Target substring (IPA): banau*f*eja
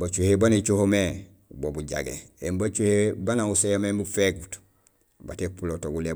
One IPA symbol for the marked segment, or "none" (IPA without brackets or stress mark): s